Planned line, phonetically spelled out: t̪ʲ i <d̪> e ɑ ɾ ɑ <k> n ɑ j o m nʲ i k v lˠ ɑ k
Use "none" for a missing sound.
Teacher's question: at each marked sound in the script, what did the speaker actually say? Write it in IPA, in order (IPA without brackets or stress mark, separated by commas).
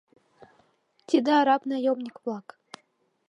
d̪, p